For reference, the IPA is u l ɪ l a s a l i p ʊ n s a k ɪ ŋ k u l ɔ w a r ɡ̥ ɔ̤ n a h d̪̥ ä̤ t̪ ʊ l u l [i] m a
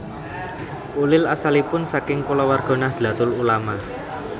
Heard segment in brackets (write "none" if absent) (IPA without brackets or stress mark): a